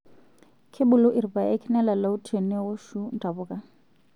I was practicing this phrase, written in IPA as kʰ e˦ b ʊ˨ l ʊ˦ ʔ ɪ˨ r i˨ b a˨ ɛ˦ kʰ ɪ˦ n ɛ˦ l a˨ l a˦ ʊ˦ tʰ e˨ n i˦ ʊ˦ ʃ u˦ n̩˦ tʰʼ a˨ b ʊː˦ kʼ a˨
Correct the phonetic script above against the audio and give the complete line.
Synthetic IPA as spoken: kʰ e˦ b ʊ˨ l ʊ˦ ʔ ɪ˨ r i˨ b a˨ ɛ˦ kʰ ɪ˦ n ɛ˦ l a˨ l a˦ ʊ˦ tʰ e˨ n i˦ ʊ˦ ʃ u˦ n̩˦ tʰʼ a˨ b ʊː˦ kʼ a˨